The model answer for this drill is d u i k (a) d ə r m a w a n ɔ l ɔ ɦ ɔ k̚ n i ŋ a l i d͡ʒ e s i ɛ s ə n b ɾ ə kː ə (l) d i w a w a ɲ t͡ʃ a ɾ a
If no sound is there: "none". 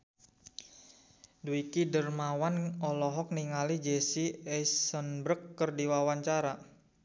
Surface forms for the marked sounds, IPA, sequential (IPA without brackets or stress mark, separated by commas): i, r